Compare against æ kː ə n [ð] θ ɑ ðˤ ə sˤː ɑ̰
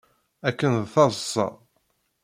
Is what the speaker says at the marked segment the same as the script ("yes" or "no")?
yes